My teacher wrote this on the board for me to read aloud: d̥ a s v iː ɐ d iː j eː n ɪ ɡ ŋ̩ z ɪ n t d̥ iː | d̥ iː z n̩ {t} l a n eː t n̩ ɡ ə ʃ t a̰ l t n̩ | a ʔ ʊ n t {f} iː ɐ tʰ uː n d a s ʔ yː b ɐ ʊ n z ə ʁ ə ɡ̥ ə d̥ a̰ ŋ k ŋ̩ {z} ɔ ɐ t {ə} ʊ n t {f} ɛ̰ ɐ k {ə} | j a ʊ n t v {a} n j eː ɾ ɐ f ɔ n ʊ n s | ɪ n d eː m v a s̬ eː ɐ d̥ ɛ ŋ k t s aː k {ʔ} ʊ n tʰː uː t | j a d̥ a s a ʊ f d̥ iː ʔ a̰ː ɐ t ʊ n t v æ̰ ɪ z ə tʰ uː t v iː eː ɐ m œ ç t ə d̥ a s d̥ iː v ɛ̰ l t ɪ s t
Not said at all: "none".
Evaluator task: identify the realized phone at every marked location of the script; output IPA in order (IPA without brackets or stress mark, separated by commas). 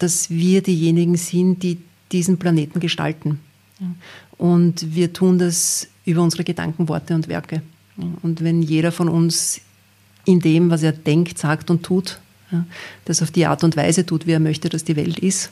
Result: p, v, v, ə, v, ə, ɛ, t